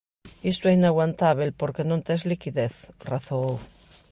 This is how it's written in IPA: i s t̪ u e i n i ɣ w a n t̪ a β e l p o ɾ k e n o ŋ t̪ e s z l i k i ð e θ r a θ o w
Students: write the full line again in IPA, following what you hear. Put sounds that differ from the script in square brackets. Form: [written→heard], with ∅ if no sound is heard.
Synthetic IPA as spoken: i s t̪ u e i n [i→a] ɣ w a n t̪ a β e l p o ɾ k e n o [ŋ→n] t̪ e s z l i k i ð e θ r a θ o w